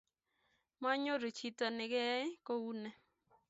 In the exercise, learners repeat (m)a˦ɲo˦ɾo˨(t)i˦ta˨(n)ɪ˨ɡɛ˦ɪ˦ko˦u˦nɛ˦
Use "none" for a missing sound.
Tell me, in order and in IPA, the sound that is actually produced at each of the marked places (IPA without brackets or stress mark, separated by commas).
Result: m, t͡ʃ, n